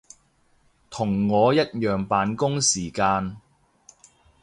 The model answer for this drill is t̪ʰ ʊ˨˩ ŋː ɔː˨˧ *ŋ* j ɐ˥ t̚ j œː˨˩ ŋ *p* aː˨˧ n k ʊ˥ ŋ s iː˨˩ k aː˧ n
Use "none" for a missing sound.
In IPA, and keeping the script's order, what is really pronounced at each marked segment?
none, p

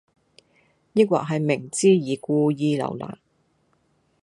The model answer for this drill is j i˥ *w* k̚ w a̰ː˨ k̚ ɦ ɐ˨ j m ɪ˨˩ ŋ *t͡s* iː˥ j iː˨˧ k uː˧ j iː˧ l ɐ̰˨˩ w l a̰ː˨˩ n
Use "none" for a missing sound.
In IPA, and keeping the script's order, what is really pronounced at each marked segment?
none, t͡s

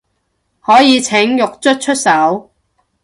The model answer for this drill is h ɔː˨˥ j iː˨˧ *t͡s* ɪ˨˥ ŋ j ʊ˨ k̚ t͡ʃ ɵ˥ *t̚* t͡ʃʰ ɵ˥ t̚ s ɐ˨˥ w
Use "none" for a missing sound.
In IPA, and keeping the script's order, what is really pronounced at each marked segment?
t͡sʰ, t̚

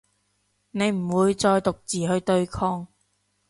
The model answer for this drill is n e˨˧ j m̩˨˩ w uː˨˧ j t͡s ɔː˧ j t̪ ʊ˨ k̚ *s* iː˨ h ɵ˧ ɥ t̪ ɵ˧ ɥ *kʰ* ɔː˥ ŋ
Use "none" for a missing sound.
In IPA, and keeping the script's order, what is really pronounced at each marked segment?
t͡s, kʰ

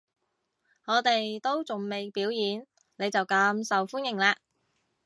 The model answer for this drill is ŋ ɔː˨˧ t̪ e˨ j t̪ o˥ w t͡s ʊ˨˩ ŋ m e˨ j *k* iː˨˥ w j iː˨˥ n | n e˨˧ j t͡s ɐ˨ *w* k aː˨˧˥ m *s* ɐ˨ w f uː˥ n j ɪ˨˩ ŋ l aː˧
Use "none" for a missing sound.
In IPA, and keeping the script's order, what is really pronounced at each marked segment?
p, w, s

